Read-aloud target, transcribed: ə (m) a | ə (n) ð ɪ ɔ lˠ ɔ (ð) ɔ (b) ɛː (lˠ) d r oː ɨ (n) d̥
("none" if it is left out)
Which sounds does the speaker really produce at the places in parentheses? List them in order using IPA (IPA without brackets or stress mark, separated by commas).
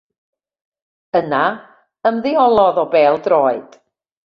n, m, ð, b, lˠ, none